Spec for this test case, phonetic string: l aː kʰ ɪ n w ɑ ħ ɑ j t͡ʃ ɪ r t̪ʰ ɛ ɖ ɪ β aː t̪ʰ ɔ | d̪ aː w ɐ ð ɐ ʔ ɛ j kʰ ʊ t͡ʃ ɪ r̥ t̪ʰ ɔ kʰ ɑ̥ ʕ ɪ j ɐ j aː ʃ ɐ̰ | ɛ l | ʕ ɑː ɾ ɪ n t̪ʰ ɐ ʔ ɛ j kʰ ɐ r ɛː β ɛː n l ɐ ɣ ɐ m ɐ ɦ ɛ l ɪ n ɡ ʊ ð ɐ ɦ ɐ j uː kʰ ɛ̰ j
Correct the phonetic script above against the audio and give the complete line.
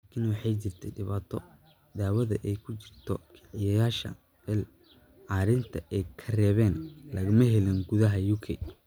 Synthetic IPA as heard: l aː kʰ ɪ n w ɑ ħ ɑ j t͡ʃ ɪ r t̪ʰ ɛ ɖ ɪ β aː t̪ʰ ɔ | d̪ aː w ɐ ð ɐ ʔ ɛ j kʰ ʊ t͡ʃ ɪ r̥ t̪ʰ ɔ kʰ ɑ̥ ʕ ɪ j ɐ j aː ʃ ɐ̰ | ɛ l | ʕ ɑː ɾ ɪ n t̪ʰ ɐ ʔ ɛ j kʰ ɐ r ɛː β ɛː n l ɐ ɣ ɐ m ɐ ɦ ɛ l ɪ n ɡ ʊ ð ɐ ɦ ɐ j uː kʰ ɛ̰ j